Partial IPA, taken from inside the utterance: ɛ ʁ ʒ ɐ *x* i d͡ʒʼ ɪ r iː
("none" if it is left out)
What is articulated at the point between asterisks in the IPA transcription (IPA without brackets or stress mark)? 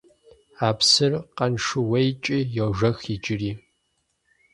x